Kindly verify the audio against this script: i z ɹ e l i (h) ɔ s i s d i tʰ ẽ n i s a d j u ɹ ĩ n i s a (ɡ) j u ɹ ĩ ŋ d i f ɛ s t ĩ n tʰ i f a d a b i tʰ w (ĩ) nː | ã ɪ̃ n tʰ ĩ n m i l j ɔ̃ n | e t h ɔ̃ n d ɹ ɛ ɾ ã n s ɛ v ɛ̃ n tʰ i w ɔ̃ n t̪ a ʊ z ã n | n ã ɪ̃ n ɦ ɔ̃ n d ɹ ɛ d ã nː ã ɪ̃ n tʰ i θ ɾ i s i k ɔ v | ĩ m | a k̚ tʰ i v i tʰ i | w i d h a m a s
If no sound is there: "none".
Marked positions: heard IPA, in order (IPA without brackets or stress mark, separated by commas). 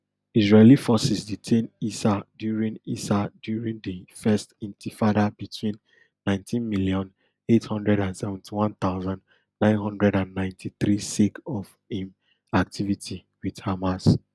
f, d, ĩ